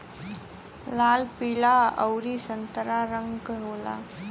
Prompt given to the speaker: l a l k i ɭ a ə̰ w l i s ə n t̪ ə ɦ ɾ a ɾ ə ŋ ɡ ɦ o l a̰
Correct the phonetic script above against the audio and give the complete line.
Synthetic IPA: l a l p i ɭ a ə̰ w ɾ i s ə n t̪ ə ɾ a ɾ ə ŋ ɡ ɦ o l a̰